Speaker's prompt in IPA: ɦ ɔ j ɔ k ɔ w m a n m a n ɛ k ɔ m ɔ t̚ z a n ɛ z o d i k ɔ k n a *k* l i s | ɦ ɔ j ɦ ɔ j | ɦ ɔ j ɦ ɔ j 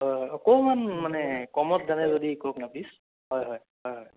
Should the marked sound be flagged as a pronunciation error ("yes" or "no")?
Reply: yes